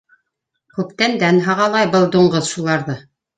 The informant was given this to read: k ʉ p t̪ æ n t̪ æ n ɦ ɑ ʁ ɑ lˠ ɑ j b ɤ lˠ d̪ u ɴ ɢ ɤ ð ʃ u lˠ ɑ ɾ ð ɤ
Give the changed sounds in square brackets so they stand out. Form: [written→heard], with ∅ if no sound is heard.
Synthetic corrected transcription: k ʉ p t̪ æ n [t̪→d̪] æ n ɦ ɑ ʁ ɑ lˠ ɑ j b ɤ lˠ d̪ u ɴ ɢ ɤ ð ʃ u lˠ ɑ ɾ ð ɤ